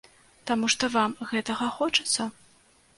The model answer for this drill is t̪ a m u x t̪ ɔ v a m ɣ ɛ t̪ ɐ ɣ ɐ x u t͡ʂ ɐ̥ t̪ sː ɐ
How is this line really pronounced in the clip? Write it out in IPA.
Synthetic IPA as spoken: t̪ a m u ʂ t̪ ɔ v a m ɣ ɛ t̪ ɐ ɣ ɐ x ɔ t͡ʂ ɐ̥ t̪ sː ɐ

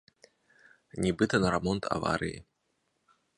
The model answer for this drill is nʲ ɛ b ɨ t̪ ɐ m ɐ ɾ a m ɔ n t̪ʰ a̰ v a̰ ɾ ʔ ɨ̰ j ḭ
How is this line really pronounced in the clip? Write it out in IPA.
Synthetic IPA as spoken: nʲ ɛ b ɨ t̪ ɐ n ɐ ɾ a m ɔ n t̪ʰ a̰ v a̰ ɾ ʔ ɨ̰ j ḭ

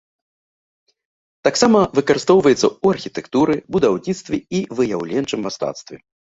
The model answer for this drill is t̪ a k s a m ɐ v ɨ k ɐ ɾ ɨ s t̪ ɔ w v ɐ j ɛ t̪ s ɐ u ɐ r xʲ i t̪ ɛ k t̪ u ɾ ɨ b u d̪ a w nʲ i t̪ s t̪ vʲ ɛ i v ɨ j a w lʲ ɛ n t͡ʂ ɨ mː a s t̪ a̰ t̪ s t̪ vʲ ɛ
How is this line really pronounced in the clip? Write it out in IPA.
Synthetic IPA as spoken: t̪ a k s a m ɐ v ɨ k ɐ ɾ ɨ s t̪ ɔ w v ɐ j ɛ t̪ s ɐ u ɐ r xʲ i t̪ ɛ k t̪ u ɾ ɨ b u d̪ a w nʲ i t̪ s t̪ vʲ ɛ i v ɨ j a w lʲ ɛ n t͡ʂ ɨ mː a s t̪ a̰ t̪ s t̪ vʲ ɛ

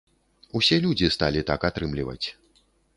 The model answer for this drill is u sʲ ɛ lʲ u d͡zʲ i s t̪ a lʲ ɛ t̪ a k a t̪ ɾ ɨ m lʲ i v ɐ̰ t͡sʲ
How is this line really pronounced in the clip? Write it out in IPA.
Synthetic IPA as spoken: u sʲ ɛ lʲ u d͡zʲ i s t̪ a lʲ i t̪ a k a t̪ ɾ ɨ m lʲ i v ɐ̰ t͡sʲ

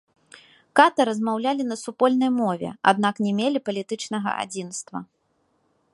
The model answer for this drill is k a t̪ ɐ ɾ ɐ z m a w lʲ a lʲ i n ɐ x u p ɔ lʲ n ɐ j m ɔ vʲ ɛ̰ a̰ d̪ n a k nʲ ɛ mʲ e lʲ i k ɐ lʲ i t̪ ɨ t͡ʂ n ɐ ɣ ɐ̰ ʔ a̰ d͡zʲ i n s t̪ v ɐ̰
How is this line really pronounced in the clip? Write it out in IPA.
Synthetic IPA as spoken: k a t̪ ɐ ɾ ɐ z m a w lʲ a lʲ i n ɐ s u p ɔ lʲ n ɐ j m ɔ vʲ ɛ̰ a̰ d̪ n a k nʲ ɛ mʲ e lʲ i p ɐ lʲ i t̪ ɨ t͡ʂ n ɐ ɣ ɐ̰ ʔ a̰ d͡zʲ i n s t̪ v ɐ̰

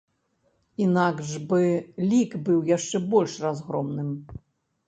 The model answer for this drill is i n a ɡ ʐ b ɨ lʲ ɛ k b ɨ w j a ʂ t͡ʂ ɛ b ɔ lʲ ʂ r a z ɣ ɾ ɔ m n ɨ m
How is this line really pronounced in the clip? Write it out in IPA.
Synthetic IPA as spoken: i n a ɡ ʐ b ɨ lʲ i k b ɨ w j a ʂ t͡ʂ ɛ b ɔ lʲ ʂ r a z ɣ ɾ ɔ m n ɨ m

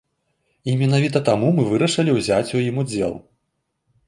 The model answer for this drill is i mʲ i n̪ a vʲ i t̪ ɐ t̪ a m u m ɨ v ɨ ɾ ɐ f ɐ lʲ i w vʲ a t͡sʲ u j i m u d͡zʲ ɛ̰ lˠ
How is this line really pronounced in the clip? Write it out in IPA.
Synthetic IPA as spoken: i mʲ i n̪ a vʲ i t̪ ɐ t̪ a m u m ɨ v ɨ ɾ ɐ ʂ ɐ lʲ i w zʲ a t͡sʲ u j i m u d͡zʲ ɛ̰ lˠ

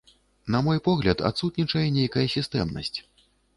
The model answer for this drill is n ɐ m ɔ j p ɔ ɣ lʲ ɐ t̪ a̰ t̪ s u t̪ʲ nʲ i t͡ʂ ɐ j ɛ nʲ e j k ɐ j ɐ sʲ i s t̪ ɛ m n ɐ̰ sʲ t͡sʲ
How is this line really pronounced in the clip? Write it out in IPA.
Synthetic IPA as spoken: n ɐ m ɔ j p ɔ ɣ lʲ ɐ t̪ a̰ t̪ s u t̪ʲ nʲ i t͡ʂ ɐ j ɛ nʲ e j k ɐ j ɐ sʲ i s t̪ ɛ m n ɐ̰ sʲ t͡sʲ

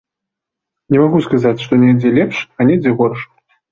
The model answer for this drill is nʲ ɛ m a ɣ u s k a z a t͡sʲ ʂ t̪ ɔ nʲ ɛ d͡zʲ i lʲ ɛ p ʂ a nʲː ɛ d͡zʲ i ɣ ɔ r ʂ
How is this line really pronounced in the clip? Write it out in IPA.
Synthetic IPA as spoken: nʲ ɛ m a ɣ u s k a z a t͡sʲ ʂ t̪ ɔ nʲ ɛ d͡zʲ ɛ lʲ ɛ p ʂ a nʲ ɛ d͡zʲ ɛ ɣ ɔ r ʂ

